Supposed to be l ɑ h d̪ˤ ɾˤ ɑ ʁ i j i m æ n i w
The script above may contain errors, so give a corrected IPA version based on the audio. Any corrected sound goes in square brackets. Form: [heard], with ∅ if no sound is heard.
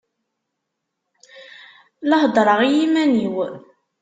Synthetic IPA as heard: l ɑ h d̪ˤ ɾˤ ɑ ʁ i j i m æ n i w